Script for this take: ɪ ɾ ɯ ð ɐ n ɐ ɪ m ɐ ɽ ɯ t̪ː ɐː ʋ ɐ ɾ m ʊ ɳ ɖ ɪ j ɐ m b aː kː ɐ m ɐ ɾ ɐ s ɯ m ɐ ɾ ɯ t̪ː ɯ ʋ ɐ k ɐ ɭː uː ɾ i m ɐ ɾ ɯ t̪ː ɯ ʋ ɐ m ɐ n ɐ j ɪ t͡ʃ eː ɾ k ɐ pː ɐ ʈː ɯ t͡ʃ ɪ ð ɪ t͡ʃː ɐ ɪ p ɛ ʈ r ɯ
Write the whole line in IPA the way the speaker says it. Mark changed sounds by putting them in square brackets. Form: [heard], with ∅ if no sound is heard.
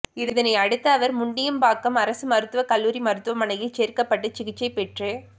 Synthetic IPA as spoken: ɪ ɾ ɯ ð ɐ n ɐ ɪ [∅] ɐ ɽ ɯ t̪ː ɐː ʋ ɐ ɾ m ʊ ɳ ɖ ɪ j ɐ m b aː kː ɐ m ɐ ɾ ɐ s ɯ m ɐ ɾ ɯ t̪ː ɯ ʋ ɐ k ɐ [lː] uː ɾ i m ɐ ɾ ɯ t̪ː ɯ ʋ ɐ m ɐ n ɐ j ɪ t͡ʃ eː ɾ k ɐ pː ɐ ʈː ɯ t͡ʃ ɪ [ɣ] ɪ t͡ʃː ɐ ɪ p ɛ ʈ r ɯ